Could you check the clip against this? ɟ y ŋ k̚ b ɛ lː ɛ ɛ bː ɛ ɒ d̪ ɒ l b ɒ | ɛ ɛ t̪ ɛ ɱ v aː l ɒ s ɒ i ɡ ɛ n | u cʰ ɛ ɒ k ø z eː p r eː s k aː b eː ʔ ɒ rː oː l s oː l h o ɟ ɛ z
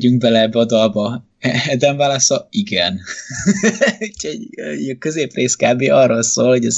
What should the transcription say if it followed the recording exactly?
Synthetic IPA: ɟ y ŋ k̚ b ɛ l ɛ ɛ bː ɛ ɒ d̪ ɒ l b ɒ | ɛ ɛ d̪ ɛ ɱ v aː l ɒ s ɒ i ɡ ɛ n | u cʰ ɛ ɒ k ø z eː p r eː s k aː b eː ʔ ɒ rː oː l s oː l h o ɟ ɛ z